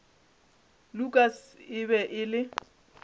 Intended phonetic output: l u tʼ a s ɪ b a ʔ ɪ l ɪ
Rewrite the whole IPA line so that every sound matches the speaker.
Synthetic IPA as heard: l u kʼ a s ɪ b ɛ ʔ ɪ l ɪ